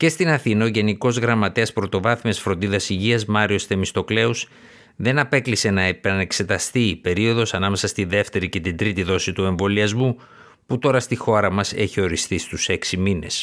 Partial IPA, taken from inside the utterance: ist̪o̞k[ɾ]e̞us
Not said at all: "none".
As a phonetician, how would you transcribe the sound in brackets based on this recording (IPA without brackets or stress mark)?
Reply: l